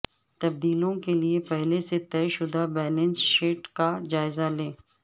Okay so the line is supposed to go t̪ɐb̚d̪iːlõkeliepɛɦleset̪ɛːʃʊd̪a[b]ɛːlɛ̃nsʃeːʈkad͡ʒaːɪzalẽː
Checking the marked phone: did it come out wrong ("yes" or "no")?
no